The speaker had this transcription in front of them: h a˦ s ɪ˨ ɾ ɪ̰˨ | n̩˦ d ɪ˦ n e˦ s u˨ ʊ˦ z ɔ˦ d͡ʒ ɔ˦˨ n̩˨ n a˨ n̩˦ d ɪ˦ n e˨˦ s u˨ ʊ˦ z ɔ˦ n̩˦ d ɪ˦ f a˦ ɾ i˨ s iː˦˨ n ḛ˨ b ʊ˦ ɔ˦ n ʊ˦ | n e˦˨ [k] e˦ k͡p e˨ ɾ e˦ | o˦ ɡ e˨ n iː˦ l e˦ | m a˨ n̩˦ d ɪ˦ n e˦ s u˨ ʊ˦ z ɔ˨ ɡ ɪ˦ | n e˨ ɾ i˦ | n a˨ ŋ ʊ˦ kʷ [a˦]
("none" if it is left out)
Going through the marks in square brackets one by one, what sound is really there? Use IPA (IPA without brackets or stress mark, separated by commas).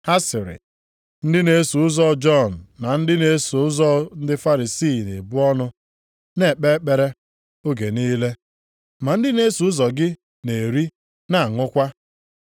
k͡p, a˦